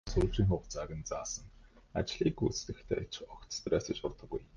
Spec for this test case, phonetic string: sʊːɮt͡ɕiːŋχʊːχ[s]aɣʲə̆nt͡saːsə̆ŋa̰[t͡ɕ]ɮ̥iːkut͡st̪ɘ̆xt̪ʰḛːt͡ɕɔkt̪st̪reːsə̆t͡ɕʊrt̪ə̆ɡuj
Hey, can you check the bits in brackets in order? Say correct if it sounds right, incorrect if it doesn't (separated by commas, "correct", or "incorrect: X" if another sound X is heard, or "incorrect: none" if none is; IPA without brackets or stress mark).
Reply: incorrect: t͡s, correct